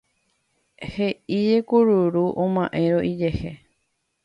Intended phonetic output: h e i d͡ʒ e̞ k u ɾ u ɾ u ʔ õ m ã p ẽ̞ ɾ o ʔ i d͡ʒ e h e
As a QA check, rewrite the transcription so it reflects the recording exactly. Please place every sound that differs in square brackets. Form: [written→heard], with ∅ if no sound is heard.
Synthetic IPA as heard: h e i d͡ʒ e̞ k u ɾ u ɾ u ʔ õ m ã [p→ʔ] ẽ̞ ɾ o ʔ i d͡ʒ e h e